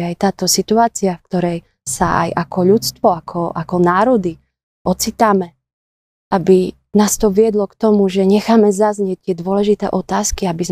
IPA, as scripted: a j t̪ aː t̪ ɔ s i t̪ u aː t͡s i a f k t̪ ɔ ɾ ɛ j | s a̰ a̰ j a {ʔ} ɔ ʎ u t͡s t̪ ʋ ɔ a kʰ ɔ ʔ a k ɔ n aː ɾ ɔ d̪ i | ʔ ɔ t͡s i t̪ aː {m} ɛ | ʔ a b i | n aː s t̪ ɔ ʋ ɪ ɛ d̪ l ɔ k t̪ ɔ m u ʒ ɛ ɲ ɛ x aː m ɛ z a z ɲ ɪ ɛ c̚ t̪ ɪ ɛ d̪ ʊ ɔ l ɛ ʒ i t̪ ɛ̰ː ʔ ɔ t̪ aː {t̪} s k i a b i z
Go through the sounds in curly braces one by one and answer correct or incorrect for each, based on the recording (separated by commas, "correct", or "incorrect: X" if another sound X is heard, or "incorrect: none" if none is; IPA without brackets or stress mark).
incorrect: k, correct, incorrect: none